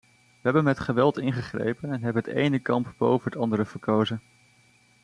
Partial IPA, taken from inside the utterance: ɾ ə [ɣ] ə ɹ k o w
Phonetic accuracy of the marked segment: incorrect: v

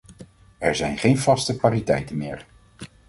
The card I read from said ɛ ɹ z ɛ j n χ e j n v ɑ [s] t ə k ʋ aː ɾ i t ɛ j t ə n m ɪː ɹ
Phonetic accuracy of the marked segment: correct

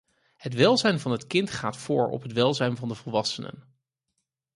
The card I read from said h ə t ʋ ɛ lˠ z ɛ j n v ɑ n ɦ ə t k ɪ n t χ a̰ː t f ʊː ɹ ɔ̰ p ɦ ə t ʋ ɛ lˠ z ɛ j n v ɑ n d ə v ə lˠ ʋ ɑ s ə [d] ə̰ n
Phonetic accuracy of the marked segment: incorrect: n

